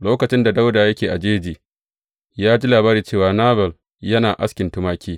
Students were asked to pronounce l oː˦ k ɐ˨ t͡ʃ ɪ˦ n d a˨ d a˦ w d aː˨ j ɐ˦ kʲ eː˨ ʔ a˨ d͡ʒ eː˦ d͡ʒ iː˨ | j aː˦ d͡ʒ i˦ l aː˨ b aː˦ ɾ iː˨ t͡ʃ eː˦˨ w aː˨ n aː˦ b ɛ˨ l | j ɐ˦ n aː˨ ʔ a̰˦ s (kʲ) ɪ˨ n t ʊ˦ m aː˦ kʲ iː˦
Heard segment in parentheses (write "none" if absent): kʲ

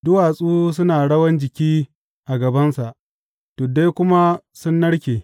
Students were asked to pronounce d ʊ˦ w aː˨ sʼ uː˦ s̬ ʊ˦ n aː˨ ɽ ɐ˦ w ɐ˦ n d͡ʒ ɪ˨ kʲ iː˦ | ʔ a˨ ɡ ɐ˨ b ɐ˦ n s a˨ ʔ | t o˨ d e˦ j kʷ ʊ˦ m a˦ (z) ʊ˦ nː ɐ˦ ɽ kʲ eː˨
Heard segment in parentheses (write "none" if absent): s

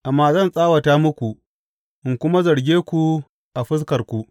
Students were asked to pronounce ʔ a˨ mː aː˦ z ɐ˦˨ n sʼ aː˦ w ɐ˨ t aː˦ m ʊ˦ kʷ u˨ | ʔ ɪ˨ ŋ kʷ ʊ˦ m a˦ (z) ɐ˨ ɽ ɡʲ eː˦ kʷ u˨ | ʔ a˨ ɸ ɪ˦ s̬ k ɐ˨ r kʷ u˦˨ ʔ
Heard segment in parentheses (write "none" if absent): z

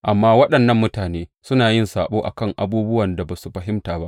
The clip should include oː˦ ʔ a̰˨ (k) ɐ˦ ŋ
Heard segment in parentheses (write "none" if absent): k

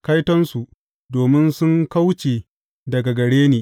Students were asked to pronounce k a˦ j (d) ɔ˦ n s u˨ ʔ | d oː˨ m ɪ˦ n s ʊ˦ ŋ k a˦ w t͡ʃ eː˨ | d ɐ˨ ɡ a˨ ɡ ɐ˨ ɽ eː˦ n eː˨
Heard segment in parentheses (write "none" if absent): t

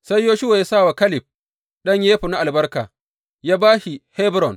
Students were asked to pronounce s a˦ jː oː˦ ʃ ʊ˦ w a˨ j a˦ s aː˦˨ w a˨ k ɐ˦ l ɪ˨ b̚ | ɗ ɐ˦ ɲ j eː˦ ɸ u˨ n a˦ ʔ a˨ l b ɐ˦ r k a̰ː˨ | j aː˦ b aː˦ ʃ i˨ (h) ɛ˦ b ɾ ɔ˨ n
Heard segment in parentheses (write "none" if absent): h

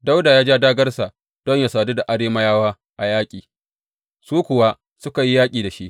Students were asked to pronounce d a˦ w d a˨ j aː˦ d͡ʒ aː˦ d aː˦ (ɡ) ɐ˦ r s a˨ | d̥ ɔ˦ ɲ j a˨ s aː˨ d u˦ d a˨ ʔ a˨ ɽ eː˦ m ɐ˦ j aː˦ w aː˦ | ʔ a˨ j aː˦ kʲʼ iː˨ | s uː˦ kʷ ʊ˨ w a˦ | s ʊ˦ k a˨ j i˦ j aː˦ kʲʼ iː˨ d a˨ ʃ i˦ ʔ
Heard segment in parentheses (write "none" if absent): ɡ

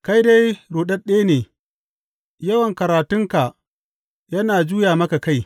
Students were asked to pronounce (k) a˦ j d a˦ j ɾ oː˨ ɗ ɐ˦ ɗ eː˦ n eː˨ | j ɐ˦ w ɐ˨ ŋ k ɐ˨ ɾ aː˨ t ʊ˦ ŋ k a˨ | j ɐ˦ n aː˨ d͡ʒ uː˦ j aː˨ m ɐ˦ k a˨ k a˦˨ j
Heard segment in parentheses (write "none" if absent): k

